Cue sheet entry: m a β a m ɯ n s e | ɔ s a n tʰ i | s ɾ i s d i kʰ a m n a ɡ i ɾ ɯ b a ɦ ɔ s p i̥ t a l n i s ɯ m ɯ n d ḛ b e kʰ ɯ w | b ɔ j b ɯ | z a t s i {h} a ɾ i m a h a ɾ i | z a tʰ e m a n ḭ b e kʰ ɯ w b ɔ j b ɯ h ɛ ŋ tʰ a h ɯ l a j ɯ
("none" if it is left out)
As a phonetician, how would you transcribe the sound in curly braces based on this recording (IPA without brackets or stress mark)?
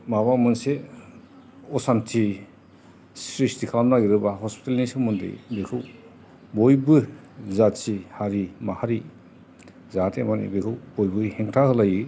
h